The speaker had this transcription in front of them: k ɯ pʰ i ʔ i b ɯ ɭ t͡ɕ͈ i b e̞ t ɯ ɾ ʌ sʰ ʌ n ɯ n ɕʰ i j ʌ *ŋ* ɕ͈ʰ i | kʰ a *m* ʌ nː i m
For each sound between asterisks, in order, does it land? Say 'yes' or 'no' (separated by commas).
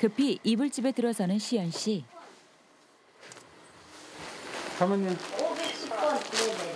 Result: no, yes